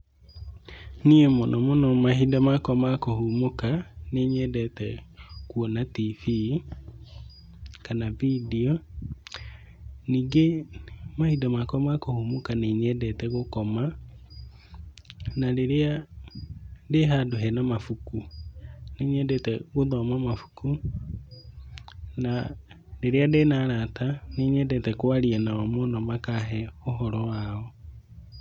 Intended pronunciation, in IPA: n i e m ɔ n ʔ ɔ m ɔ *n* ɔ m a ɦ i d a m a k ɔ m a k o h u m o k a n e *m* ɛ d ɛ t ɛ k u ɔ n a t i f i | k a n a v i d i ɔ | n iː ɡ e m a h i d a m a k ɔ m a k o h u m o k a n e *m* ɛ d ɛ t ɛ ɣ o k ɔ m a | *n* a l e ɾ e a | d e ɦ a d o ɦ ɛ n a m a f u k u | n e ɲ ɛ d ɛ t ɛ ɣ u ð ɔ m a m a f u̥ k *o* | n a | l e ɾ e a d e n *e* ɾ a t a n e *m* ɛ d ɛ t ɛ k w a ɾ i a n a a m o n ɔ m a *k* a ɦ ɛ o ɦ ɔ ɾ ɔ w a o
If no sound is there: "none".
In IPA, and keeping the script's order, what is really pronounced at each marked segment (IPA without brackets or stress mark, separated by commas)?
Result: n, ɲ, ɲ, n, u, a, ɲ, k